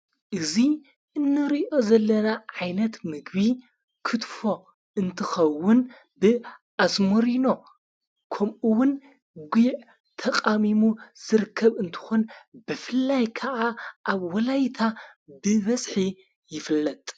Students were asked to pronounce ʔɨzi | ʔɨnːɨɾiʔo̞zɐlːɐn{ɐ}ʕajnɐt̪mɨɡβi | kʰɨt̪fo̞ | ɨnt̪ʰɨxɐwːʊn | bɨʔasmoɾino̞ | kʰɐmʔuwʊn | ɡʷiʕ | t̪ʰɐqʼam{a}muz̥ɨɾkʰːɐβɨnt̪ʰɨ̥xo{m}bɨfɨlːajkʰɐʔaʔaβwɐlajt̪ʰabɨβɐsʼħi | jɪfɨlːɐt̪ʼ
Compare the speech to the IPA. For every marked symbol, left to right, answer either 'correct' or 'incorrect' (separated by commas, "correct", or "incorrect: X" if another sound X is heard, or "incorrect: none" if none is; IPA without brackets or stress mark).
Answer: incorrect: a, incorrect: i, incorrect: n